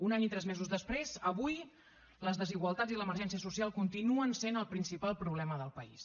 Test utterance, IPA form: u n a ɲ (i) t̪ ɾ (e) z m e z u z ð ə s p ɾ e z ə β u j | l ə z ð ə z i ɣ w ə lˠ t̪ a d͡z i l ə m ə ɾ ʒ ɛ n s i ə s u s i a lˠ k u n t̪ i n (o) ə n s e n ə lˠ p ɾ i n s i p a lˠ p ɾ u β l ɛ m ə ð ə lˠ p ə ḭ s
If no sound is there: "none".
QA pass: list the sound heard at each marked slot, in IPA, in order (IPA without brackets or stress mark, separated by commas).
i, ɛ, u